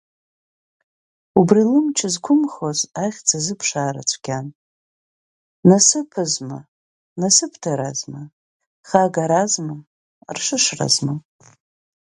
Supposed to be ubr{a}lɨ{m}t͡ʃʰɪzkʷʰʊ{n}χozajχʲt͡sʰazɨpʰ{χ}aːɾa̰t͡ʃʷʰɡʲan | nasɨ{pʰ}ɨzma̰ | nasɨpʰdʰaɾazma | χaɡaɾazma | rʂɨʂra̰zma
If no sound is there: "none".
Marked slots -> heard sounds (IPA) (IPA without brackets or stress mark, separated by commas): i, m, m, ʂ, pʰ